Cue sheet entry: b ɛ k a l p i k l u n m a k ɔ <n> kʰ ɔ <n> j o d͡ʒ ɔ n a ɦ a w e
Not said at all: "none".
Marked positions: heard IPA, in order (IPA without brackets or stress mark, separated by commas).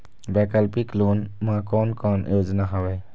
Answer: n, n